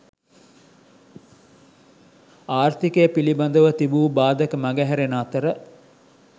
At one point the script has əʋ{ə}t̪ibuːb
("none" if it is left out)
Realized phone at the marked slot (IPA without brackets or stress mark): ə